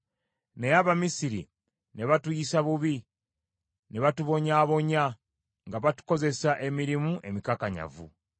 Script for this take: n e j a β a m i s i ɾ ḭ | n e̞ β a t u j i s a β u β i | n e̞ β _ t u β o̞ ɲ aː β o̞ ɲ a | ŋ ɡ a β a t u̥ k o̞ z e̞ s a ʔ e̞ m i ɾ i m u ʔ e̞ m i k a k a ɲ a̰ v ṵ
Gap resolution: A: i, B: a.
B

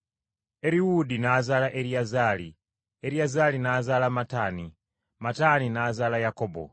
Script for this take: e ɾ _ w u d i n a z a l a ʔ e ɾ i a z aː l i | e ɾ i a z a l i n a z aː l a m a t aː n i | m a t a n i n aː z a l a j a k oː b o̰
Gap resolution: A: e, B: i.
B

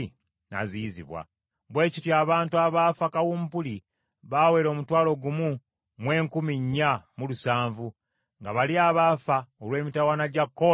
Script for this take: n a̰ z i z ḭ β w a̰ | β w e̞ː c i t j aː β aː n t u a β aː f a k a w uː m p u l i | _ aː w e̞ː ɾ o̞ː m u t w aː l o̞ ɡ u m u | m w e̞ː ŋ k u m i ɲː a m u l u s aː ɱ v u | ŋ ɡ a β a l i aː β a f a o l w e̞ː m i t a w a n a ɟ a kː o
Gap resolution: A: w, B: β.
B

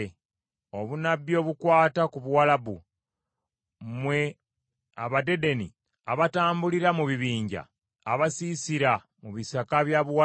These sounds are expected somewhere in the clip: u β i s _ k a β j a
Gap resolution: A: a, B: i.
A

